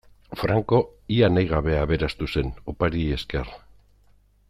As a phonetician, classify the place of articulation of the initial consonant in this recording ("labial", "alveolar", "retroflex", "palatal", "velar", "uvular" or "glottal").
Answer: labial